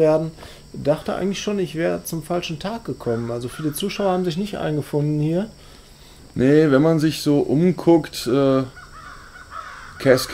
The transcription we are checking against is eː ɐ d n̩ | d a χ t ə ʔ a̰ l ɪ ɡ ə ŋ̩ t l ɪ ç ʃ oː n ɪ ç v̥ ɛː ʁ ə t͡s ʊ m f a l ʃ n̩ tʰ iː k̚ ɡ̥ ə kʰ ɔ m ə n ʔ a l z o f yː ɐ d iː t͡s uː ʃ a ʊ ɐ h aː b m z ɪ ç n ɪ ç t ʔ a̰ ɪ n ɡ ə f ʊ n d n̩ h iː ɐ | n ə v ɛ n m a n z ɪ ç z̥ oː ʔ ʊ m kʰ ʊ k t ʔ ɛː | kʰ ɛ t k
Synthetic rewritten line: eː ɐ d n̩ | d a χ t ə ʔ a̰ ɪ ɡ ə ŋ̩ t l ɪ ç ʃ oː n ɪ ç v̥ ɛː ʁ ə t͡s ʊ m f a l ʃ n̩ tʰ aː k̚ ɡ̥ ə kʰ ɔ m ə n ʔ a l z o f yː ɐ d iː t͡s uː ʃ a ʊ ɐ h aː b m z ɪ ç n ɪ ç t ʔ a̰ ɪ n ɡ ə f ʊ n d n̩ h iː ɐ | n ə v ɛ n m a n z ɪ ç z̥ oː ʔ ʊ m kʰ ʊ k t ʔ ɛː | kʰ ɛ s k

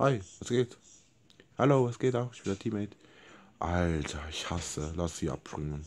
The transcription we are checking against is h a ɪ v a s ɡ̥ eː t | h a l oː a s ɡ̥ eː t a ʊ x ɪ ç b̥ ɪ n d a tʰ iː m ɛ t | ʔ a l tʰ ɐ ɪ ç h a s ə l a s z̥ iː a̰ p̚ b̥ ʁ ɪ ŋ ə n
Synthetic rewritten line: h a ɪ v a s ɡ̥ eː t | h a l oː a s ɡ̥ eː t a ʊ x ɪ ç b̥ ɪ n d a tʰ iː m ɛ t | ʔ a l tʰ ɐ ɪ ç h a s ə l a s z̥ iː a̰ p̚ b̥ ʁ ɪ ŋ ə n

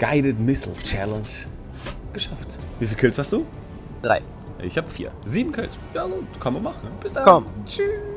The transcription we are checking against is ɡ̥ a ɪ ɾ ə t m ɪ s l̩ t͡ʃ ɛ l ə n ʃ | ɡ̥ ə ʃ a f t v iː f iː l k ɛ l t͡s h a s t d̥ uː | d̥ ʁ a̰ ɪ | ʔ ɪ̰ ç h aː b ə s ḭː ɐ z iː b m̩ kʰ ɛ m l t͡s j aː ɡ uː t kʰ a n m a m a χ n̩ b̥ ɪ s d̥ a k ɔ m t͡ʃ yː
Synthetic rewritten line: ɡ̥ a ɪ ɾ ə t m ɪ s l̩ t͡ʃ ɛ l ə n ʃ | ɡ̥ ə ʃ a f t v iː f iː l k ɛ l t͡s h a s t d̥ uː | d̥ ʁ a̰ ɪ | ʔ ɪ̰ ç h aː b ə f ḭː ɐ z iː b m̩ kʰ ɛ l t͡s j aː ɡ uː t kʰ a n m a m a χ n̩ b̥ ɪ s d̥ a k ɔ m t͡ʃ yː

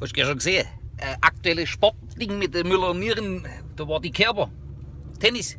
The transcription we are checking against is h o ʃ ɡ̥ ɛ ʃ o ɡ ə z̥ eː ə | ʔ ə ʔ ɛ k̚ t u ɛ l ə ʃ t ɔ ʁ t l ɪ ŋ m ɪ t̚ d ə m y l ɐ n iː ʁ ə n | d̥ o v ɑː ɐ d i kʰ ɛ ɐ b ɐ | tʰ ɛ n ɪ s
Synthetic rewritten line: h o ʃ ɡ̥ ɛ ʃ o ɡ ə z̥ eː ə | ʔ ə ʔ a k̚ t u ɛ l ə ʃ p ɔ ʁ t l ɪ ŋ m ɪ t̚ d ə m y l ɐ n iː ʁ ə n | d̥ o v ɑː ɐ d i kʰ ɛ ɐ b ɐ | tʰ ɛ n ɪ s

